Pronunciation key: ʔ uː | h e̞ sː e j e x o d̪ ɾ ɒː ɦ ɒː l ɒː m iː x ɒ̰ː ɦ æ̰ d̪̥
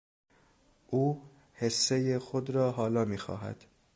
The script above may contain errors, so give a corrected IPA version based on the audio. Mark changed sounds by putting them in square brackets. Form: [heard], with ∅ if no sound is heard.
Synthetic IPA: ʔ uː | h e̞ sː e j e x o d̪ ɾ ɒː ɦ ɒː l ɒː m iː x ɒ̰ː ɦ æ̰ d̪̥

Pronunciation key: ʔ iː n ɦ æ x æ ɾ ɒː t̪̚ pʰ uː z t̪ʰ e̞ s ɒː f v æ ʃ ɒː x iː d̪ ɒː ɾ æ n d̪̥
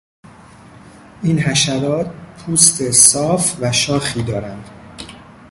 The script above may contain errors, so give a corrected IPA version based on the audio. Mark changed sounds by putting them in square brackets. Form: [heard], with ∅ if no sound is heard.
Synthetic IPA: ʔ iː n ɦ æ [ʃ] æ ɾ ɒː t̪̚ pʰ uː [s] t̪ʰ e̞ s ɒː f v æ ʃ ɒː x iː d̪ ɒː ɾ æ n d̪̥

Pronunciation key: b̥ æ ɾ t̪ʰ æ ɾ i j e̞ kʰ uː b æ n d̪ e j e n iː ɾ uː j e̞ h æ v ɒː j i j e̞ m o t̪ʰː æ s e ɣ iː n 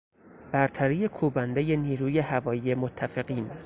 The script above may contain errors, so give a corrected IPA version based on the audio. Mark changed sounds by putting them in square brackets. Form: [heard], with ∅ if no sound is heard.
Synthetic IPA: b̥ æ ɾ t̪ʰ æ ɾ i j e̞ kʰ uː b æ n d̪ e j e n iː ɾ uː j e̞ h æ v ɒː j i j e̞ m o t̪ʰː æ [f] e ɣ iː n

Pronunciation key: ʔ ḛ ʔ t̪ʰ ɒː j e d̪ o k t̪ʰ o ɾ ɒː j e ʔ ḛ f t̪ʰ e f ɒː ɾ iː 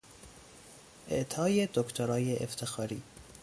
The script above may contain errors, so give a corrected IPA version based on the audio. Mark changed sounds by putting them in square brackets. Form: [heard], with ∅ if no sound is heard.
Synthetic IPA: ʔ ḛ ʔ t̪ʰ ɒː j e d̪ o k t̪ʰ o ɾ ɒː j e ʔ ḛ f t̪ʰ e [x] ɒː ɾ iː

